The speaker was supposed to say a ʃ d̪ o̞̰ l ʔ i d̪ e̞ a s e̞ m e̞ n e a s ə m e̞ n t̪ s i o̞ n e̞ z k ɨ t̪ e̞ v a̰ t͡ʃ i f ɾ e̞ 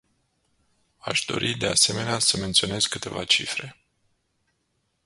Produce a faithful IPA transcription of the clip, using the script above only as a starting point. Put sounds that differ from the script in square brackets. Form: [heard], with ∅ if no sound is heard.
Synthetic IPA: a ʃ d̪ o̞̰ [ɾ] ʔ i d̪ e̞ a s e̞ m e̞ n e a s ə m e̞ n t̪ s i o̞ n e̞ z k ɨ t̪ e̞ v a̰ t͡ʃ i f ɾ e̞